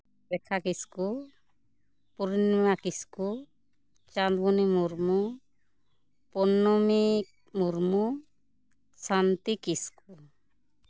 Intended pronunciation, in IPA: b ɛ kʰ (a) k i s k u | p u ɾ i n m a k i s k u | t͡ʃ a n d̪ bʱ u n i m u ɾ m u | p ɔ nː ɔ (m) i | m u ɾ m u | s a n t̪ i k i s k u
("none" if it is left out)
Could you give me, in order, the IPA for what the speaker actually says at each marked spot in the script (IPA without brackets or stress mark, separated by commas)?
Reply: a, m